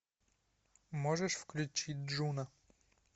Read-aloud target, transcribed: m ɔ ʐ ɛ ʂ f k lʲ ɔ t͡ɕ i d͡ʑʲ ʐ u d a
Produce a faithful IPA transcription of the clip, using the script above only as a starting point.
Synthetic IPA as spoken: m ɔ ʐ ɛ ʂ f k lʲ u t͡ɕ i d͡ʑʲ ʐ u n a